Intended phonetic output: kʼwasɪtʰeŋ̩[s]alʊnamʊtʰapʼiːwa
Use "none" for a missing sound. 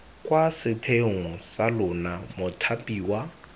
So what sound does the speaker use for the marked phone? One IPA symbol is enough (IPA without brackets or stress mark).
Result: s